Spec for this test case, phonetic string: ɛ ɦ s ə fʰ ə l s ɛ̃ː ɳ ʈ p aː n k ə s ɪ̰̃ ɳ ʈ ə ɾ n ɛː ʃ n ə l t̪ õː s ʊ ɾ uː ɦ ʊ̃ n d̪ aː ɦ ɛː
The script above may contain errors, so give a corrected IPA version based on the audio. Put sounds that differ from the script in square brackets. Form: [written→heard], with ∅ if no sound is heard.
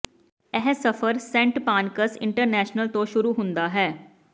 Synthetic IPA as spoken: ɛ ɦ s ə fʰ ə [l→ɾ] s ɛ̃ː ɳ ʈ p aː n k ə s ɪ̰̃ ɳ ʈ ə ɾ n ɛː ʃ n ə l t̪ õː [s→ʃ] ʊ ɾ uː ɦ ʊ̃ n d̪ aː ɦ ɛː